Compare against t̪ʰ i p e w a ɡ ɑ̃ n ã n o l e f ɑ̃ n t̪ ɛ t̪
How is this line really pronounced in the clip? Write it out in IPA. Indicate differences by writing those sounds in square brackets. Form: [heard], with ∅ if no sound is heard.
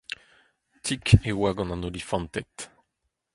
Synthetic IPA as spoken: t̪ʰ i [k] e w a ɡ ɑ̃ n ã n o l [i] f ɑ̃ n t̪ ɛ t̪